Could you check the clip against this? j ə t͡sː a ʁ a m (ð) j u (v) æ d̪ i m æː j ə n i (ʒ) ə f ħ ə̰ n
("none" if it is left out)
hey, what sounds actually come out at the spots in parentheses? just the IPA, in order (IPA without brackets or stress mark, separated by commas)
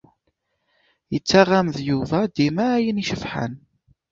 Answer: ð, v, ʃ